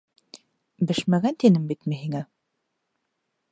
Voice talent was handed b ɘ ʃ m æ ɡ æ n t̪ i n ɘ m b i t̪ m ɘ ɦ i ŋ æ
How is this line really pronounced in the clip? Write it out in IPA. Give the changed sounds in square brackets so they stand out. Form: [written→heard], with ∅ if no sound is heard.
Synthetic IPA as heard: b ɘ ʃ m æ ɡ æ n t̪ i n ɘ m b i t̪ m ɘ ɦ i ŋ æ